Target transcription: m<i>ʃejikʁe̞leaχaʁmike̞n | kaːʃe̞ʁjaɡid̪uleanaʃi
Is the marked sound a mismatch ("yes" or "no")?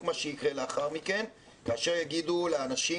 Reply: yes